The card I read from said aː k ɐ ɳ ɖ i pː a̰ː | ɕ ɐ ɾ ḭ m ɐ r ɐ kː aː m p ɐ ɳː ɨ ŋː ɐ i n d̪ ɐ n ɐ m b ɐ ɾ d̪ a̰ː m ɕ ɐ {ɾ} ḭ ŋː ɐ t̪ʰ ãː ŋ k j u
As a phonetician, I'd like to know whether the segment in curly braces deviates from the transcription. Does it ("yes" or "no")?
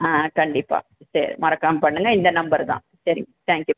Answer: no